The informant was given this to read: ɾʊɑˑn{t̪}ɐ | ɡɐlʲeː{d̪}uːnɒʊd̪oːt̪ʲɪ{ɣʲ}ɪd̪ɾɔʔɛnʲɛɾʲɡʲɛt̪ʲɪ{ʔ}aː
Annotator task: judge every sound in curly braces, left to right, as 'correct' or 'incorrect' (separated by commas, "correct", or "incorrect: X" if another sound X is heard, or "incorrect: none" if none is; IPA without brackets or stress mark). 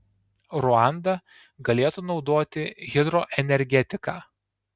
incorrect: d̪, incorrect: t̪, correct, incorrect: k